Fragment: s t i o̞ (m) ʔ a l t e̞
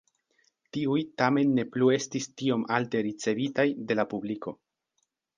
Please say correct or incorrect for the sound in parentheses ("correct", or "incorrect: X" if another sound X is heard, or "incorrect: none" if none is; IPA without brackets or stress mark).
correct